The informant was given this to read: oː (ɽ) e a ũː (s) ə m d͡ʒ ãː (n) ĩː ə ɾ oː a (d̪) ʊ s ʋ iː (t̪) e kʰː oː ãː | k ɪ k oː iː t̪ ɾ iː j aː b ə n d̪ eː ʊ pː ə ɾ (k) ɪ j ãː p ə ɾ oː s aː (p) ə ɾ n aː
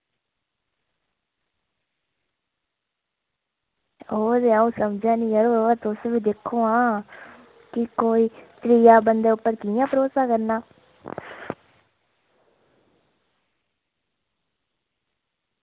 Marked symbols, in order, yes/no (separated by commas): no, yes, yes, no, no, yes, no